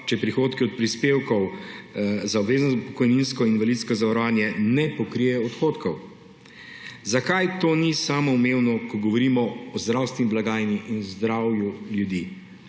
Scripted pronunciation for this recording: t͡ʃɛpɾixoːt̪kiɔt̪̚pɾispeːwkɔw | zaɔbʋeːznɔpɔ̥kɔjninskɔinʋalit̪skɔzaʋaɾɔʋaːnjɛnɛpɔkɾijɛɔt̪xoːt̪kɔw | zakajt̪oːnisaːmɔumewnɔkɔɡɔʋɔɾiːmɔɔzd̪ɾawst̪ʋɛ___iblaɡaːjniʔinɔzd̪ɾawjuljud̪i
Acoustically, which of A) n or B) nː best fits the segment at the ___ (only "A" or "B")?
A